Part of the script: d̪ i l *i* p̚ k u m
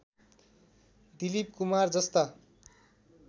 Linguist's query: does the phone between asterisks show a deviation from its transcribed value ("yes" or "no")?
no